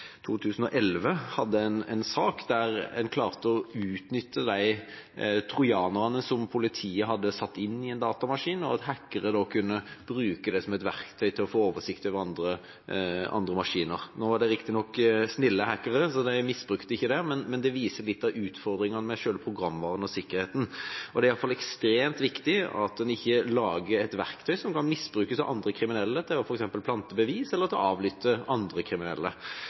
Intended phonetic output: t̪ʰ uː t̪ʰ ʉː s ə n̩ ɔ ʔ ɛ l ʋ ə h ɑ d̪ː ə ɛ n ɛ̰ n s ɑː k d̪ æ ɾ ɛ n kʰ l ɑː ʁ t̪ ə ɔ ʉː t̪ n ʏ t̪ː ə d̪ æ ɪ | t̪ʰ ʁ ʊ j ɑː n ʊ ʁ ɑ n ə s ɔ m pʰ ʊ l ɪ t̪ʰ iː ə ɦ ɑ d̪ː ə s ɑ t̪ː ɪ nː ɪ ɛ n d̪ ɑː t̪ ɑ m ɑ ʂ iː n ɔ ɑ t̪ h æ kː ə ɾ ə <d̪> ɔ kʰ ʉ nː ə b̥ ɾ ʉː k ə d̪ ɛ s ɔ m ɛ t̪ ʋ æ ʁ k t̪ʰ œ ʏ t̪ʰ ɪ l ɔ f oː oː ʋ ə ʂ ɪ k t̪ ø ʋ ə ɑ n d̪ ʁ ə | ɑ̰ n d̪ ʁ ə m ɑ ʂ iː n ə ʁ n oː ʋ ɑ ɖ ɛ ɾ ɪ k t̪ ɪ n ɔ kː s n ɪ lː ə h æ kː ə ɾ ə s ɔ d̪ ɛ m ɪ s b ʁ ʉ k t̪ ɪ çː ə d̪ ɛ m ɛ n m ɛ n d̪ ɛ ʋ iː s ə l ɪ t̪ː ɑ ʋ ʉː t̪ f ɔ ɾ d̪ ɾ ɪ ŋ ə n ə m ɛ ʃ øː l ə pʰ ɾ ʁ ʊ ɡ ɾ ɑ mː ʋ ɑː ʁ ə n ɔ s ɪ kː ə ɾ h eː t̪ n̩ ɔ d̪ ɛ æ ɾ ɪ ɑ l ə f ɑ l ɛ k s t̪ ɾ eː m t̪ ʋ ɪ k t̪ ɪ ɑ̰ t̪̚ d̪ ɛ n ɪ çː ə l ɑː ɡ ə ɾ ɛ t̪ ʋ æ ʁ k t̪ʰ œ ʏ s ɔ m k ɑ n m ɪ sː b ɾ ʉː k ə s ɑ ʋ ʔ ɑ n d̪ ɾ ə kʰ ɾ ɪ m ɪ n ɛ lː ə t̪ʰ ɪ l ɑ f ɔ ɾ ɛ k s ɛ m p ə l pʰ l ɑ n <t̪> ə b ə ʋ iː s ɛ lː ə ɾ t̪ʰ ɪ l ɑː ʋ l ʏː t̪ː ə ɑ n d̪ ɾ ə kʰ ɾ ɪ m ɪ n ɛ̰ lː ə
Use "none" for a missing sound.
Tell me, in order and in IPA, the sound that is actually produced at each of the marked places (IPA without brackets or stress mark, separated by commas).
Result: d̪, t̪